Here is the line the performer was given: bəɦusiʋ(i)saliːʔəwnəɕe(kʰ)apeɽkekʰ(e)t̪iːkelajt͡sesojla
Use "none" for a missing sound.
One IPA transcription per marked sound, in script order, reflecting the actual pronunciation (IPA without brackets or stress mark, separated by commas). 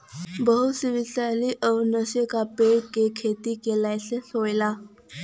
i, k, e